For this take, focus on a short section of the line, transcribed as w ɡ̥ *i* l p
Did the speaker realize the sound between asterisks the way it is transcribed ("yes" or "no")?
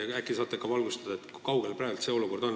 no